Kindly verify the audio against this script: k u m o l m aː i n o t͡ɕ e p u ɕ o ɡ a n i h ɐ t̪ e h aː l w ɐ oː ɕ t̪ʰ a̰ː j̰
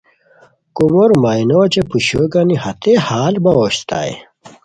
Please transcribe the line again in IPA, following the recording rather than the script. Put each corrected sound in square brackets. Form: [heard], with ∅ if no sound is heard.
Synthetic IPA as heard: k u m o [ɾ] m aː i n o t͡ɕ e p u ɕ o ɡ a n i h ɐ t̪ e h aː l [b] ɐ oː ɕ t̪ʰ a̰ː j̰